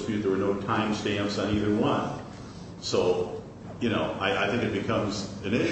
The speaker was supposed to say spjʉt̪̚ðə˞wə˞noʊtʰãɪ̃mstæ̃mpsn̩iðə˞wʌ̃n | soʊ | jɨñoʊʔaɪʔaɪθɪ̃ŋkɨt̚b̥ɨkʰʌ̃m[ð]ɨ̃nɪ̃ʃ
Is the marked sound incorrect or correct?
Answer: incorrect